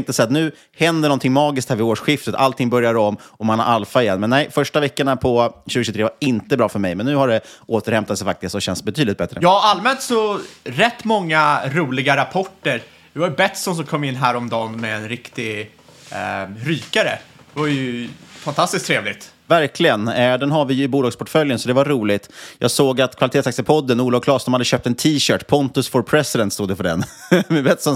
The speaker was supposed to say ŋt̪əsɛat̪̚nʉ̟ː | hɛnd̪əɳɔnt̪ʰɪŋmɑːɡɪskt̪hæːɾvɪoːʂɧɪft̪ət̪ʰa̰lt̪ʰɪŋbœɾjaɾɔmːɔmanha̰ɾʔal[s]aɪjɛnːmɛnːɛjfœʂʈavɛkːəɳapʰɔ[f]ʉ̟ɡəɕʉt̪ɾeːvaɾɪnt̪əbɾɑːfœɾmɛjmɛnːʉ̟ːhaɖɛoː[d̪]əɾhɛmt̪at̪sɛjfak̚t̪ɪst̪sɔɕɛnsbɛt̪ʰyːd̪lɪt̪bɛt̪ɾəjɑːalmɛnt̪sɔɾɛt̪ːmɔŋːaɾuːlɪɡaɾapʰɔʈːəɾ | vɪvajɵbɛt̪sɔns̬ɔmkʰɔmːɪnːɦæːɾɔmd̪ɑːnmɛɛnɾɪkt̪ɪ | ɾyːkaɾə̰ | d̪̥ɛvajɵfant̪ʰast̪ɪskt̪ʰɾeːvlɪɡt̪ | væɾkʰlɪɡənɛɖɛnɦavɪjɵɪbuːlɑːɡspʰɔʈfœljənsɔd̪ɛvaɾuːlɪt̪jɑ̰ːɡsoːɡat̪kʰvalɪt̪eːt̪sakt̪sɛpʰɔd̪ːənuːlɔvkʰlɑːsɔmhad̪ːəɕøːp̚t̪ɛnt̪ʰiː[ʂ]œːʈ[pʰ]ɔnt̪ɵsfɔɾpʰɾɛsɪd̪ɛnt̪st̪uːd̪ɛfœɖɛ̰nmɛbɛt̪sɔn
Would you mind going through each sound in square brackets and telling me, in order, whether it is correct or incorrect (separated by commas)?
incorrect, incorrect, incorrect, incorrect, correct